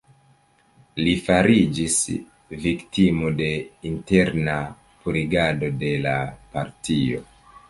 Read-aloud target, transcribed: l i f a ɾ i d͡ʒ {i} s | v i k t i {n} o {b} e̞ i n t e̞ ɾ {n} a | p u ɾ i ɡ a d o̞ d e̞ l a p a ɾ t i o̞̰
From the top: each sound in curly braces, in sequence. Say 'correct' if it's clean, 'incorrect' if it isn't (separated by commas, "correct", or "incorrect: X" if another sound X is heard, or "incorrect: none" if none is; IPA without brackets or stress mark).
correct, incorrect: m, incorrect: d, correct